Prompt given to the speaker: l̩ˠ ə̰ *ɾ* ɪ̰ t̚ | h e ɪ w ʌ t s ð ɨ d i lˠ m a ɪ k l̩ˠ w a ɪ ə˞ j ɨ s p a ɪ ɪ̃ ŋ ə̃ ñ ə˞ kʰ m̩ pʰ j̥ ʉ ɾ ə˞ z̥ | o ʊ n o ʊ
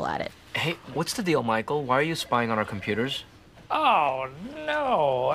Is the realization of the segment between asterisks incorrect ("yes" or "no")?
no